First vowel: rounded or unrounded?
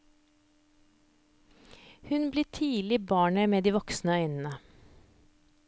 rounded